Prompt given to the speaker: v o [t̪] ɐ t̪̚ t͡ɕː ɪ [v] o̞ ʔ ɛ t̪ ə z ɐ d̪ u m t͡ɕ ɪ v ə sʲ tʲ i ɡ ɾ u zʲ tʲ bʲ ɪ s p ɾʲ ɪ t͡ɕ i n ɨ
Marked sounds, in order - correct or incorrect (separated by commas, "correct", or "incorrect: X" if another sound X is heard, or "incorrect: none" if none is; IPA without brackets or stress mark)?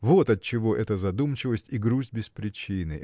correct, correct